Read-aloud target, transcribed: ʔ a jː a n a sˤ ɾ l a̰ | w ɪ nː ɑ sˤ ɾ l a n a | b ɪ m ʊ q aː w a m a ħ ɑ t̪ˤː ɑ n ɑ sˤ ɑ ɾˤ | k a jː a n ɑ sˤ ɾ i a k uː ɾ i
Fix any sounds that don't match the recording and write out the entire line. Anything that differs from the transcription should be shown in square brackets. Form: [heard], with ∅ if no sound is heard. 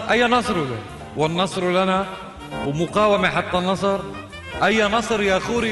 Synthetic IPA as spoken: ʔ a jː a n [ɑ] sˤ ɾ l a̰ | w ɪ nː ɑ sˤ ɾ l a n a | [w] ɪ m ʊ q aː w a m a ħ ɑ t̪ˤː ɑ n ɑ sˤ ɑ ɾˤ | [ʔ] a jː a n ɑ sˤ ɾ [j] a [x] uː ɾ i